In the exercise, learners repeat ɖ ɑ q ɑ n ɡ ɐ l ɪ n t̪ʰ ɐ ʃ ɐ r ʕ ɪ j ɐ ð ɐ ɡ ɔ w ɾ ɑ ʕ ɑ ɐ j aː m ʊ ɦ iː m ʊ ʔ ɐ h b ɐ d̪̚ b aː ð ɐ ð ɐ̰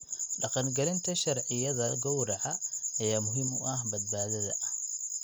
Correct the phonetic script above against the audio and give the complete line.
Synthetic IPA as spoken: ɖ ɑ q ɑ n ɡ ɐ l ɪ n t̪ʰ ɐ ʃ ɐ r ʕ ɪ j ɐ ð ɐ ɡ ɔ w ɾ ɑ ʕ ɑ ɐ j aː m ʊ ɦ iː m ʊ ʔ ɐ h b ɐ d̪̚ b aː ð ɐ ð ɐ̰